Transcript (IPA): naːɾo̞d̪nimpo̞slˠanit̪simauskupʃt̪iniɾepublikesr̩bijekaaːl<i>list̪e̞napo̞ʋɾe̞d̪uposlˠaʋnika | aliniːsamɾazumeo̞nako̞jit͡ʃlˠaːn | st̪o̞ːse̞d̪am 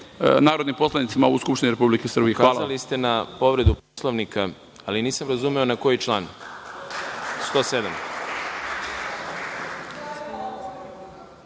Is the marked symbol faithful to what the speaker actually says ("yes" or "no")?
no